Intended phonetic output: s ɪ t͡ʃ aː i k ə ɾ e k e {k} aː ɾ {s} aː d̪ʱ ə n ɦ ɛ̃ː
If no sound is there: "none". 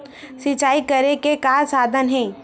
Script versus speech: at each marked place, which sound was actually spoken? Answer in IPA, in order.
k, s

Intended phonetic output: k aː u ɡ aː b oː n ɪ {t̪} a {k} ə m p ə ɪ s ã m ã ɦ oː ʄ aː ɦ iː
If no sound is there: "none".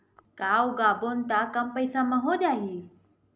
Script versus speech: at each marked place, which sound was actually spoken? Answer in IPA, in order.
t̪, k

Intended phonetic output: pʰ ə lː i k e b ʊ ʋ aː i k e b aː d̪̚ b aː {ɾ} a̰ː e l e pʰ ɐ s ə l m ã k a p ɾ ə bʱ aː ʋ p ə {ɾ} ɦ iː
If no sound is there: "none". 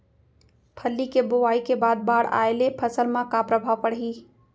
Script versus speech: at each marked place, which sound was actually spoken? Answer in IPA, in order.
ɽ, ɽ

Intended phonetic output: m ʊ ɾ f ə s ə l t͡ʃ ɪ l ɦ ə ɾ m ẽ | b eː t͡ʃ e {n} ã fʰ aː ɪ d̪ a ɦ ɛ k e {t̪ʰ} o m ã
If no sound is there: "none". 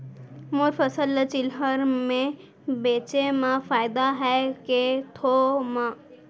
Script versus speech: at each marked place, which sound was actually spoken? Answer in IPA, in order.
m, t̪ʰ

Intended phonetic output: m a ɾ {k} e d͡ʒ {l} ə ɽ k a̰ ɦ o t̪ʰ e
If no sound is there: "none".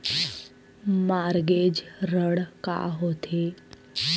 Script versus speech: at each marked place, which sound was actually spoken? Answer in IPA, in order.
ɡ, ɾ

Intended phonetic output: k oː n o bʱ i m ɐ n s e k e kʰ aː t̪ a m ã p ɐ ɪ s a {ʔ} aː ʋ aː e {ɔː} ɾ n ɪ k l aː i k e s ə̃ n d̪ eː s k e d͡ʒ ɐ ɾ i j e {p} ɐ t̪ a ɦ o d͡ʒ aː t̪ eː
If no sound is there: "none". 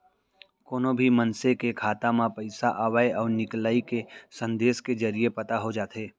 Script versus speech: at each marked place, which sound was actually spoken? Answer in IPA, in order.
ʔ, ɔː, p

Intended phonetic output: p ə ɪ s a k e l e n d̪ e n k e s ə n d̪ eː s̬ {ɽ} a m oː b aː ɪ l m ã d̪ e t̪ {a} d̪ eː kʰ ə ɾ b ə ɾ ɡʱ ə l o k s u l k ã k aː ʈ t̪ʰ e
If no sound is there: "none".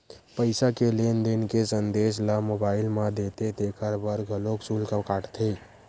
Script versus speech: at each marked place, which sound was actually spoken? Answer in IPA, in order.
l, e

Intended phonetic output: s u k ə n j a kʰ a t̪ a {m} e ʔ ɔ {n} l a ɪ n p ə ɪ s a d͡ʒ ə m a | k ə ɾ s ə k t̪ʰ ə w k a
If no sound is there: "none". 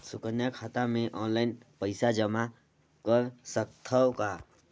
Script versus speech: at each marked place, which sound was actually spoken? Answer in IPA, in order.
m, n

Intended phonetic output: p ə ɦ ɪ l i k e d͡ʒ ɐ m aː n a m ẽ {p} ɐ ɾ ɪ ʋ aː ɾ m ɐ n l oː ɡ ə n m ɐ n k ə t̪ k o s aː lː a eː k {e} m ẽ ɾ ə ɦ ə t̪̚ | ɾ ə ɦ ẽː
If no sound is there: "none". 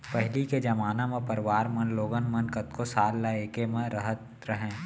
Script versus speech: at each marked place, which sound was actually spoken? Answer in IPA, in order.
p, e

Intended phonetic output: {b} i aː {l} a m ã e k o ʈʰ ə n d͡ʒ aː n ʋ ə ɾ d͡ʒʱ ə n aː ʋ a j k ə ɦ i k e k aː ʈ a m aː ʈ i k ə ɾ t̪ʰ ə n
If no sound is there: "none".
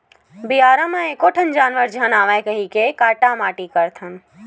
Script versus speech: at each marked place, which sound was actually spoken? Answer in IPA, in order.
b, ɾ

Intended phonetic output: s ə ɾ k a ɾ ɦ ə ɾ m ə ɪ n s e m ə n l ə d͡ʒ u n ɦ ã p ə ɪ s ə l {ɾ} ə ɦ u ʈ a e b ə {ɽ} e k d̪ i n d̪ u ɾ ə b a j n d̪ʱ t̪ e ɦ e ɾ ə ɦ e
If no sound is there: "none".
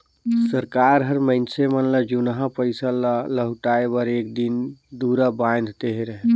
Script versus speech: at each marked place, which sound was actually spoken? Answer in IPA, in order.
l, ɾ

